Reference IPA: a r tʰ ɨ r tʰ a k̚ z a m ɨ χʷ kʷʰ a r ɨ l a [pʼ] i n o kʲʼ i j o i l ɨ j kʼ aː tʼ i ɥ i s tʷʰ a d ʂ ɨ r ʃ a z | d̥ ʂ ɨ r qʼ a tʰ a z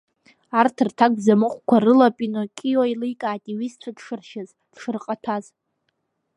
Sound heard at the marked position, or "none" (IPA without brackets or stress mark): pʼ